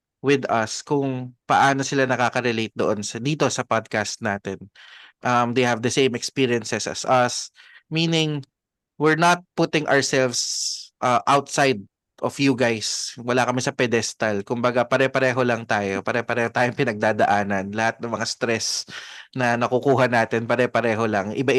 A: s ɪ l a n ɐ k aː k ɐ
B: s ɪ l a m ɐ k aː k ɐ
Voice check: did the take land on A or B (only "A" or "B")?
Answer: A